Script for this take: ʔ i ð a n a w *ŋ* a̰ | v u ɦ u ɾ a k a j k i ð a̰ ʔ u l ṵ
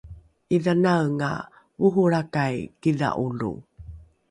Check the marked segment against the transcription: correct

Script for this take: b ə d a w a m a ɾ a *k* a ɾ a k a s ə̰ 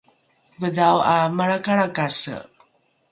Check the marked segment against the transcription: correct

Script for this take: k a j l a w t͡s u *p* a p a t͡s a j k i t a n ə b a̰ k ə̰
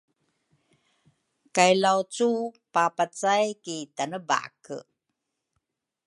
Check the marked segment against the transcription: correct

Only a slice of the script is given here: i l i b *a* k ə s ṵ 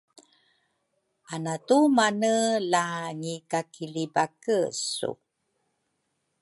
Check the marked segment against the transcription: correct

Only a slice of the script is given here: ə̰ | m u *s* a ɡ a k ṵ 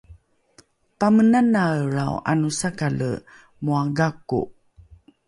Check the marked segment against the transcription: incorrect: none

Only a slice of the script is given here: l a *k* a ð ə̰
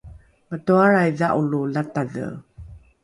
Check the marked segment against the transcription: incorrect: t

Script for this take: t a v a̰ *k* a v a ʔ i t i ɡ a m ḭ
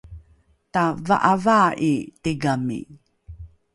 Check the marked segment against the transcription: incorrect: ʔ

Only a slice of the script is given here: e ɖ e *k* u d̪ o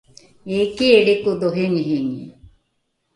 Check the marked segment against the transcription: correct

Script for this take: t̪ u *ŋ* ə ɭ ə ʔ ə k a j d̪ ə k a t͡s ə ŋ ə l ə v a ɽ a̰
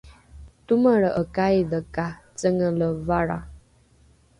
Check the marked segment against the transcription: incorrect: m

